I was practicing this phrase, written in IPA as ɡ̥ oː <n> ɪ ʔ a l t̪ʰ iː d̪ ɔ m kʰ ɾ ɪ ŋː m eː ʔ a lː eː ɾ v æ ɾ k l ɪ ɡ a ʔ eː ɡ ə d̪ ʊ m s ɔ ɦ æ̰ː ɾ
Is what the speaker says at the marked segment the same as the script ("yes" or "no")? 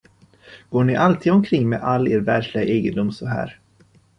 no